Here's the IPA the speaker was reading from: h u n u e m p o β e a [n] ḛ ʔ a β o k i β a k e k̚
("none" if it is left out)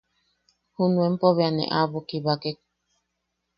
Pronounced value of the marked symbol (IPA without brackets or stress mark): n